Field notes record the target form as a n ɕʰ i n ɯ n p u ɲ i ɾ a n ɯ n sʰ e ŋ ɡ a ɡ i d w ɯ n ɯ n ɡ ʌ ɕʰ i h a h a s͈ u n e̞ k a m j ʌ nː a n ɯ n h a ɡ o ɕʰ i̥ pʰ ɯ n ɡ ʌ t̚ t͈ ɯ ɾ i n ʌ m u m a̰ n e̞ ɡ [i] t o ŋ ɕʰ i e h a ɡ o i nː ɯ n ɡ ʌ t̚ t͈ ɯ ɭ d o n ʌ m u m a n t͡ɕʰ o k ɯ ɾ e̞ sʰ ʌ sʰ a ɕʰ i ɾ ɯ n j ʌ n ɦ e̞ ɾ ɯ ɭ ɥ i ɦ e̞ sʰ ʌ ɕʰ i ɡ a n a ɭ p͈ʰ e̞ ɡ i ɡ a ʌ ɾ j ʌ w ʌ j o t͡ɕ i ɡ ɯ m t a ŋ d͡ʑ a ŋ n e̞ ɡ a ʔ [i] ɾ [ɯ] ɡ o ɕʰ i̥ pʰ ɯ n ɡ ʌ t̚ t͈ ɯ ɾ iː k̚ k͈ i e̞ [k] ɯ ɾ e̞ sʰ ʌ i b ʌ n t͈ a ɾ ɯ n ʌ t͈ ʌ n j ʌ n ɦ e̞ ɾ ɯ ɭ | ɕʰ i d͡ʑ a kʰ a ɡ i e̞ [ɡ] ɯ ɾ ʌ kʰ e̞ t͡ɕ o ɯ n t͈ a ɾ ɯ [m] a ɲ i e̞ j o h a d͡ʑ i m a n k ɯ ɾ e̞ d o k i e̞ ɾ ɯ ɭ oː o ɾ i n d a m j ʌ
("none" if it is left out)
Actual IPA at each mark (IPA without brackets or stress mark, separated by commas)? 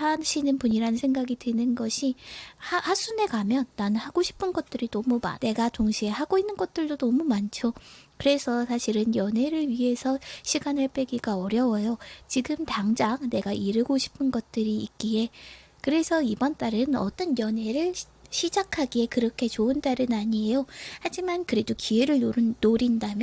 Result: a, i, ɯ, k, k, n